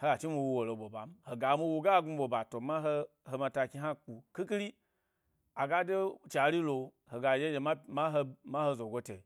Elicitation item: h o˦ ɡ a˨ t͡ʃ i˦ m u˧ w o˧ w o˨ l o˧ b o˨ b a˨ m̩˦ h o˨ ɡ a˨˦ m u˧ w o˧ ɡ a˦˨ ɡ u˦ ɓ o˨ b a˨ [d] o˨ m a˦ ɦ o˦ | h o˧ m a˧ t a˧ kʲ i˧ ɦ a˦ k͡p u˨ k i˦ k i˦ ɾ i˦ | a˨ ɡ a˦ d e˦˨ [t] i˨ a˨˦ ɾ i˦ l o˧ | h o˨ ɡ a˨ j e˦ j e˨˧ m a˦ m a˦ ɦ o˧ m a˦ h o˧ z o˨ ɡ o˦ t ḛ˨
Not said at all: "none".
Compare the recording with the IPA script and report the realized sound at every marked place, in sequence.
t, t͡ʃ

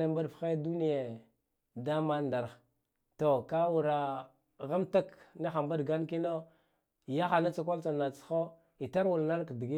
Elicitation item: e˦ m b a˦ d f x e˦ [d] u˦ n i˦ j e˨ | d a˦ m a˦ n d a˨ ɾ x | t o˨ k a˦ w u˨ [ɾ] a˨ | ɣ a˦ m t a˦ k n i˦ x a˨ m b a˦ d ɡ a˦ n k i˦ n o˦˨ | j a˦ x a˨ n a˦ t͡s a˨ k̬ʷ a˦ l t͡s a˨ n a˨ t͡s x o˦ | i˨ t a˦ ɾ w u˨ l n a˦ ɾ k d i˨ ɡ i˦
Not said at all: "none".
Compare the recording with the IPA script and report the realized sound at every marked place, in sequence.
d, ɾ

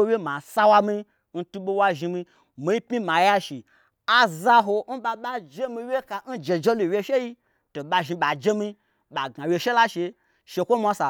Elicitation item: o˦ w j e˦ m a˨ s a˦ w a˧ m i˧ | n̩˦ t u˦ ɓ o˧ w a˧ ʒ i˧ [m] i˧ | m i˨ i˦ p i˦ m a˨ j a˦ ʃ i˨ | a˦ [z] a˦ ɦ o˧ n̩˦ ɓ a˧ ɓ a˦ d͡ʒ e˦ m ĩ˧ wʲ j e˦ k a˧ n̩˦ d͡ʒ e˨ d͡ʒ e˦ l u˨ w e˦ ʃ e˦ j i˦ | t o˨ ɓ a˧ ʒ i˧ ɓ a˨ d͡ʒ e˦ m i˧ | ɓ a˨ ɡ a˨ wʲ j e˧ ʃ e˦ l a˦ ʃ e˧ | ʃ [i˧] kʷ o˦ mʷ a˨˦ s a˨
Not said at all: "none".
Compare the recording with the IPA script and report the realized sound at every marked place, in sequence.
m, z, e˧

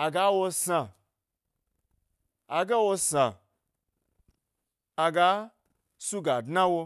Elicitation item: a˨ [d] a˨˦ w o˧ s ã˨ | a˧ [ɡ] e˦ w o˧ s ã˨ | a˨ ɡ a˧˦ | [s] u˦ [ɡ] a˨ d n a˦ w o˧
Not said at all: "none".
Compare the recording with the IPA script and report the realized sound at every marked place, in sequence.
ɡ, ɡ, s, ɡ

